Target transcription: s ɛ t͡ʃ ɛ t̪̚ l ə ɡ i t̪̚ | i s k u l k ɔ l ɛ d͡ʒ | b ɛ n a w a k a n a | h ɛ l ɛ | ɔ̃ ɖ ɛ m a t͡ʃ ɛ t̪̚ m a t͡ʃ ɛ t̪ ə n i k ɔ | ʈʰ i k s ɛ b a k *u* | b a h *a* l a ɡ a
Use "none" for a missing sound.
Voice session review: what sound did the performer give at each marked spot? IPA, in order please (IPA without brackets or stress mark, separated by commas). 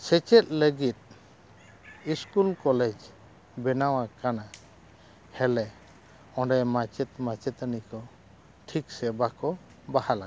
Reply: ɔ, a